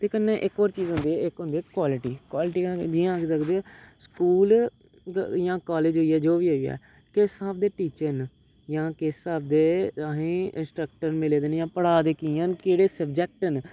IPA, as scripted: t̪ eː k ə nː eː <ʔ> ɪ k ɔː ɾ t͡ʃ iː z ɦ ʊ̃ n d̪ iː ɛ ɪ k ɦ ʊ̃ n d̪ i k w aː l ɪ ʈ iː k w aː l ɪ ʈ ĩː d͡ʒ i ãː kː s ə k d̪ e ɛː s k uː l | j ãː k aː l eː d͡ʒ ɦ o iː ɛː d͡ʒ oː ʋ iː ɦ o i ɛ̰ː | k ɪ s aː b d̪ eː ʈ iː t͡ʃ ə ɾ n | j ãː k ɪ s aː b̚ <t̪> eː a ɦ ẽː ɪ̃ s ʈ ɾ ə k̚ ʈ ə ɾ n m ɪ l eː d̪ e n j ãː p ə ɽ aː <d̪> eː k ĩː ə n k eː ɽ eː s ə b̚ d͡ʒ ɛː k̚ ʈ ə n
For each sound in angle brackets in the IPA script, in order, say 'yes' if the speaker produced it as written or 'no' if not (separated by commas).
yes, no, yes